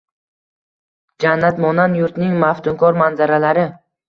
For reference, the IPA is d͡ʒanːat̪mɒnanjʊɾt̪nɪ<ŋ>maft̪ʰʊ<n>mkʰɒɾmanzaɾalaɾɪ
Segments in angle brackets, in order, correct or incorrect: correct, incorrect

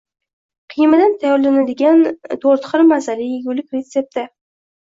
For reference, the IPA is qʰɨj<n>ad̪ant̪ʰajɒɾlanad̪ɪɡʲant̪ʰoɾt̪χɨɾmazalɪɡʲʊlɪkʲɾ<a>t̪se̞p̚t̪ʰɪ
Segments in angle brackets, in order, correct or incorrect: incorrect, incorrect

